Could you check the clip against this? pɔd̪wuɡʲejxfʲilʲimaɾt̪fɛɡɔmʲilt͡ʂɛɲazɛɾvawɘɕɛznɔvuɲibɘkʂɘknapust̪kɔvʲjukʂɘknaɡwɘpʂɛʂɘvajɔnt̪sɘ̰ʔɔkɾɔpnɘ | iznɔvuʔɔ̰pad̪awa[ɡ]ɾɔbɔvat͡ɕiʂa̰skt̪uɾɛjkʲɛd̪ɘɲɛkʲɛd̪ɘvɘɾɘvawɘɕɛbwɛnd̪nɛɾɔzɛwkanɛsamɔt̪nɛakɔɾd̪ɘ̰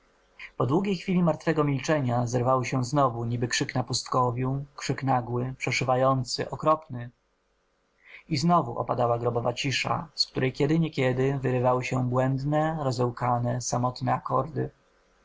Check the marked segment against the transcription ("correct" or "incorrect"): correct